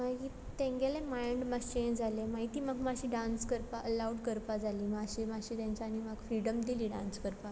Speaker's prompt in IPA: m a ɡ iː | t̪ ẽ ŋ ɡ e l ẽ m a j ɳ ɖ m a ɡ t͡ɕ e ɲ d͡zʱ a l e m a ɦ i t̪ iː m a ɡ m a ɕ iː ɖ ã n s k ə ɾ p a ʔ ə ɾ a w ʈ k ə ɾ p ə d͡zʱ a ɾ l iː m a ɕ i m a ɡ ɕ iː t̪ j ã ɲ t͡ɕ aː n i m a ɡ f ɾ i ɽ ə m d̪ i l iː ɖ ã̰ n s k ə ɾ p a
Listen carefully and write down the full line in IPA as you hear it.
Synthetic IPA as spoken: m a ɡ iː | t̪ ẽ ŋ ɡ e l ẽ m a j ɳ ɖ m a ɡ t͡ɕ e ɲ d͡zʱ a l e m a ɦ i t̪ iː m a ɡ m a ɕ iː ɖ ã n s k ə ɾ p a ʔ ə l a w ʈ k ə ɾ p a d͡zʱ a l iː m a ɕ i m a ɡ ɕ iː t̪ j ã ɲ t͡ɕ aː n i m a ɡ f ɾ i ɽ ə m d̪ i l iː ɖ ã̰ n s k ə ɾ p a